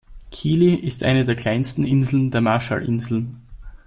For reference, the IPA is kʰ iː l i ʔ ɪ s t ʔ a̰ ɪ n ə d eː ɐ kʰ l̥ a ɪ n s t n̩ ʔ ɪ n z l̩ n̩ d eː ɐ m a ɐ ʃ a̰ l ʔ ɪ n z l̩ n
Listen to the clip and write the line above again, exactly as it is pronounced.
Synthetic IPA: kʰ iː l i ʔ ɪ s t ʔ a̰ ɪ n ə d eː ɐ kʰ l̥ a ɪ n s t n̩ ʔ ɪ n z l̩ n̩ d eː ɐ m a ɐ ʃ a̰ l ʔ ɪ n z l̩ n